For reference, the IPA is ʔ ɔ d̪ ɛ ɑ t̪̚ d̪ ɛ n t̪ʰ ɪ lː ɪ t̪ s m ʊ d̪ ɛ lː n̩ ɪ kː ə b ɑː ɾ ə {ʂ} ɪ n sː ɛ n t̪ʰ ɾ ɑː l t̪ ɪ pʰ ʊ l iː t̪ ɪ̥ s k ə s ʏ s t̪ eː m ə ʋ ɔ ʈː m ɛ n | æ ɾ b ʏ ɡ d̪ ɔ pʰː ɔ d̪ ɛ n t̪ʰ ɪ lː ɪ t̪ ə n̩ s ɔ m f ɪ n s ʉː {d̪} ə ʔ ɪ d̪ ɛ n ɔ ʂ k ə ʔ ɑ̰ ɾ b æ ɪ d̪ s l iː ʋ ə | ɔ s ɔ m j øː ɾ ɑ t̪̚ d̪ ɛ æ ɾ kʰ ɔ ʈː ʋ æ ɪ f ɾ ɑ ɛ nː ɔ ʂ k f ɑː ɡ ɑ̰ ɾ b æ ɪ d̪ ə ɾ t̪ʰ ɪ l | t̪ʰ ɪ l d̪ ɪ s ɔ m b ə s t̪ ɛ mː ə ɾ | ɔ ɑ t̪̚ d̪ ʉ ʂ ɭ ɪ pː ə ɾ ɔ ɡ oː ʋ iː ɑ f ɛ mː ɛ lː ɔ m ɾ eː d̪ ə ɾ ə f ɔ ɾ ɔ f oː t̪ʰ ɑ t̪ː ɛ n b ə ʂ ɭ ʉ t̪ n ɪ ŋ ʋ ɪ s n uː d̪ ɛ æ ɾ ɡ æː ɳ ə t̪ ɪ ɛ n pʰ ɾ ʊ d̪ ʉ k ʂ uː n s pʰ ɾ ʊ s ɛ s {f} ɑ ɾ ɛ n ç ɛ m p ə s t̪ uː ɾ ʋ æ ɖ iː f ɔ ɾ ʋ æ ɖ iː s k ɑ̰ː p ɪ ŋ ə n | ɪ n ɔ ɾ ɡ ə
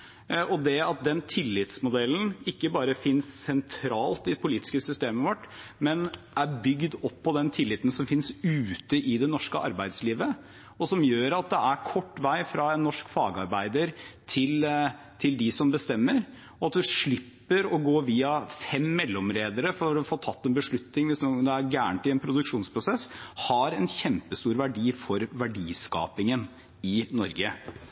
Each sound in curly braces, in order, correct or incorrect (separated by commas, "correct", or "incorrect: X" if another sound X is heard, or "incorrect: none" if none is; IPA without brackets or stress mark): incorrect: f, incorrect: t̪, incorrect: h